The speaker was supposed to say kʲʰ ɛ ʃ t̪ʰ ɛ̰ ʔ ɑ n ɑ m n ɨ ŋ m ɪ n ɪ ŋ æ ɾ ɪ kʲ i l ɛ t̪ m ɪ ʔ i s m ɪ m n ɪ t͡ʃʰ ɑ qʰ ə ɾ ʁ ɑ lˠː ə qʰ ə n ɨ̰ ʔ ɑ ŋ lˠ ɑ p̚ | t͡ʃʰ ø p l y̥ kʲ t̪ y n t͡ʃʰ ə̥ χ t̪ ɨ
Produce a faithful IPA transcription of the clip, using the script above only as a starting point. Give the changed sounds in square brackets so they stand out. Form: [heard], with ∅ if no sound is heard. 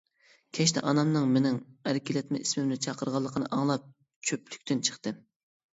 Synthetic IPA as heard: kʲʰ ɛ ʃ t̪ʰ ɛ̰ ʔ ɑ n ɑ m n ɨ ŋ m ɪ n ɪ ŋ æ ɾ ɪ kʲ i l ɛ t̪ m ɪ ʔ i s m ɪ m n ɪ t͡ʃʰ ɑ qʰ ə ɾ ʁ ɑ lˠː ə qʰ ə n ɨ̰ ʔ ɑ ŋ lˠ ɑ p̚ | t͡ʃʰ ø p l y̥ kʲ t̪ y n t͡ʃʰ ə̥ χ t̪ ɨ